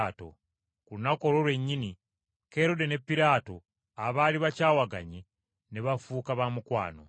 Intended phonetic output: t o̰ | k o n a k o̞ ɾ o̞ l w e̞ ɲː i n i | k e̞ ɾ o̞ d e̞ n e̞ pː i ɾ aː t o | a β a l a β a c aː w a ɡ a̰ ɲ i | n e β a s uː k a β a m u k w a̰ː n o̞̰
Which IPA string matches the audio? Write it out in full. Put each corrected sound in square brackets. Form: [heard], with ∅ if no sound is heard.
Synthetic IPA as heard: t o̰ | k [u] n a k o̞ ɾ o̞ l w e̞ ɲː i n i | k e̞ ɾ o̞ d e̞ n e̞ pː i ɾ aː t o | a β a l [i] β a c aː w a ɡ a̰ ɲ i | n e β a [f] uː k a β a m u k w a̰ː n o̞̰